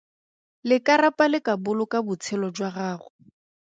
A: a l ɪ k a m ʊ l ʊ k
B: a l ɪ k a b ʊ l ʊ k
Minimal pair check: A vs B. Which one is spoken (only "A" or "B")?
B